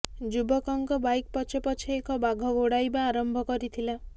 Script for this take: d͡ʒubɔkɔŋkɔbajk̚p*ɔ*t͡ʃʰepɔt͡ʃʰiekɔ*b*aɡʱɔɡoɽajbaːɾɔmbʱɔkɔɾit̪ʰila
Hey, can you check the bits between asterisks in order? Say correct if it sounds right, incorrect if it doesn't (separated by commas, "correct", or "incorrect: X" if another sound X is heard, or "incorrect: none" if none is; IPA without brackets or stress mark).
correct, correct